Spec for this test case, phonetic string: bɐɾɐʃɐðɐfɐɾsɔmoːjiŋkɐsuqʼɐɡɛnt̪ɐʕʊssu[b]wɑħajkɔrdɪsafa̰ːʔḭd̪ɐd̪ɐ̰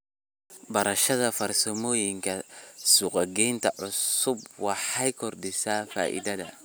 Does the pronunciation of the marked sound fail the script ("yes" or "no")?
no